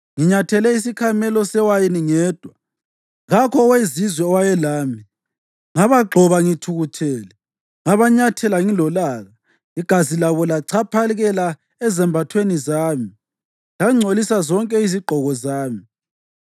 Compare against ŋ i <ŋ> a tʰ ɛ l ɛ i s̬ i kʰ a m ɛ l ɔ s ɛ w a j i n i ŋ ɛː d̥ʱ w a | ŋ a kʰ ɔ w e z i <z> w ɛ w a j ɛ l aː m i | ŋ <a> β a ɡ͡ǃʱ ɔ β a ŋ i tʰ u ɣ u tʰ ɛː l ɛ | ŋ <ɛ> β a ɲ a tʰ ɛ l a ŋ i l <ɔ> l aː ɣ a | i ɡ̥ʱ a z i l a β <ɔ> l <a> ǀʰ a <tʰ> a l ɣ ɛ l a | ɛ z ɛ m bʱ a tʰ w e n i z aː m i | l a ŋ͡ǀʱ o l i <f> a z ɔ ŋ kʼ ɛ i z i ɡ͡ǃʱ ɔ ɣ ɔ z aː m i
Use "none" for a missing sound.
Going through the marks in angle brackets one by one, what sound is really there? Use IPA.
ɲ, z, a, a, ɔ, ɔ, a, pʰ, s

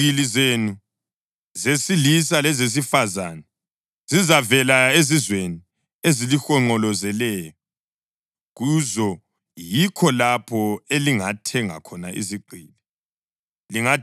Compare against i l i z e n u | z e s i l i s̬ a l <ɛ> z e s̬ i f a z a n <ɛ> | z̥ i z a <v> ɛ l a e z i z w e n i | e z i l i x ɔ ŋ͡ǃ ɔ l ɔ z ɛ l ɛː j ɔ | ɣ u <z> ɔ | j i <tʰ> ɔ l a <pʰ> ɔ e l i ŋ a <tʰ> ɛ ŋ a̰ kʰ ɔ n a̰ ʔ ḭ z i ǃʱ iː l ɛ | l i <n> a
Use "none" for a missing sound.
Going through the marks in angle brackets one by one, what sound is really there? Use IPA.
ɛ, ɛ, v, z, kʰ, pʰ, tʰ, ŋ

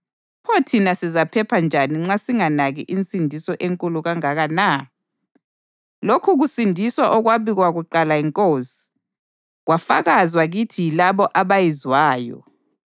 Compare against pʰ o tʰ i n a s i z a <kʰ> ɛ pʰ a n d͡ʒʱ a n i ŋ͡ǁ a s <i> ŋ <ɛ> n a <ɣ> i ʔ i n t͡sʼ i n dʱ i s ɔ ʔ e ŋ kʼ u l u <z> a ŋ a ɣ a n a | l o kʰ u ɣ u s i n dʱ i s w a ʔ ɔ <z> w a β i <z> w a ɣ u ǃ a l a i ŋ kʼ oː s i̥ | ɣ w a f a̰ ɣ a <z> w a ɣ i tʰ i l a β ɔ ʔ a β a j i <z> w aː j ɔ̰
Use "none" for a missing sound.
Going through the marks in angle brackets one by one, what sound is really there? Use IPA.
pʰ, i, a, ɣ, ɣ, ɣ, ɣ, z, z

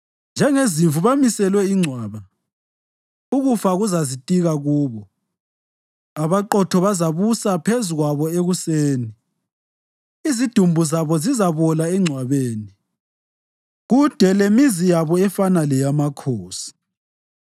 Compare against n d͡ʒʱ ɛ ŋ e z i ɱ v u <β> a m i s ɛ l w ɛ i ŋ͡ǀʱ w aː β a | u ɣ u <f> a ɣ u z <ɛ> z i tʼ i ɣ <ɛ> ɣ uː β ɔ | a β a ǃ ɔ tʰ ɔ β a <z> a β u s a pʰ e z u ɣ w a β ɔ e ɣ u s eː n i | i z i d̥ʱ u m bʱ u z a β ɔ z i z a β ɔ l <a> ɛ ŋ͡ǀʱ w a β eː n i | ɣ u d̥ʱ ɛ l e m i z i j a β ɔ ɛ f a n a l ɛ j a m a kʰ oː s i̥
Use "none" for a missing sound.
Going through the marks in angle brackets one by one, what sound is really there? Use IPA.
β, f, a, a, z, a

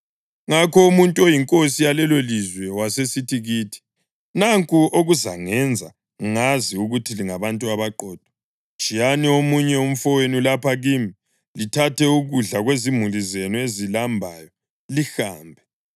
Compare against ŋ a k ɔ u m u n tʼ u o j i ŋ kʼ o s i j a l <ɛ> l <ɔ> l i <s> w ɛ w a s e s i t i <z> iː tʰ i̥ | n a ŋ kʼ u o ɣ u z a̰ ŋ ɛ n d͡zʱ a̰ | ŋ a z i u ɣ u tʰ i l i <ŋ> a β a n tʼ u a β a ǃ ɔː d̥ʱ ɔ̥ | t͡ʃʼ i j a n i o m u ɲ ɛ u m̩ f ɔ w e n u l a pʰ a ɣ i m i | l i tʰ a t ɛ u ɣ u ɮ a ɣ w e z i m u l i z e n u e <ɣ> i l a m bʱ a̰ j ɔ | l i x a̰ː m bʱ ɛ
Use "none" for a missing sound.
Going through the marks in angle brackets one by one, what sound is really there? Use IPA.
ɛ, o, z, ɣ, ŋ, z

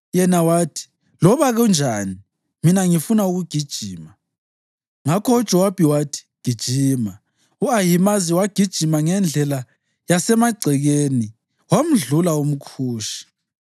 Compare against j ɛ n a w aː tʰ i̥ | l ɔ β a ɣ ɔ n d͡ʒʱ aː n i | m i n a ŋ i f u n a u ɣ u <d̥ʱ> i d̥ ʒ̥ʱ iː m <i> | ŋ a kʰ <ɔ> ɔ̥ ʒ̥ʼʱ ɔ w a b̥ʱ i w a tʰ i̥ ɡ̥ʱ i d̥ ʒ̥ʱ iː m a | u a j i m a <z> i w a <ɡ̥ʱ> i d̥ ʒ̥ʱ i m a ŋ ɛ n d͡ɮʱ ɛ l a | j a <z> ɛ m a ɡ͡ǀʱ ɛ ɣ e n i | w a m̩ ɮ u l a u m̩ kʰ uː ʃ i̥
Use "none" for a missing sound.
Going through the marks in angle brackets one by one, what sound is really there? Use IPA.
ɡ̥ʱ, a, ɔ, z, ɡ̥ʱ, s

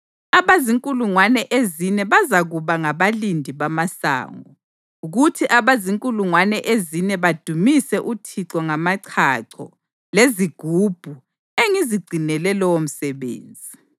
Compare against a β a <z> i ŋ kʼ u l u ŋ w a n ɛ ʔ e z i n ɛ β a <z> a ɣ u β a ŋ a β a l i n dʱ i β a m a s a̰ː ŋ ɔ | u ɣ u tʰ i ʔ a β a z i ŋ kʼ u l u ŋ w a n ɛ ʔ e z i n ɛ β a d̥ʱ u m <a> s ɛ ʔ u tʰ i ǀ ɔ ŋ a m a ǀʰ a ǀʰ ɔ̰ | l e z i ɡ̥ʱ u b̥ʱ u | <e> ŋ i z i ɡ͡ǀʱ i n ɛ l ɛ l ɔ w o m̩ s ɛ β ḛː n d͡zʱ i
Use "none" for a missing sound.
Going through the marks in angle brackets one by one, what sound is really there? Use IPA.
z, z, i, e

